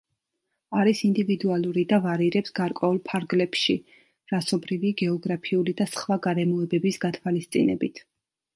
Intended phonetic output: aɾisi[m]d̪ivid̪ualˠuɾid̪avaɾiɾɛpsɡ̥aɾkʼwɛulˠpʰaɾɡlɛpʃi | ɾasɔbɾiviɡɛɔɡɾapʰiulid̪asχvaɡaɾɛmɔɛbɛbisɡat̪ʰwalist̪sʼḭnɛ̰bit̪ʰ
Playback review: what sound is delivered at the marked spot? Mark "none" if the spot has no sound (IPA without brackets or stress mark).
n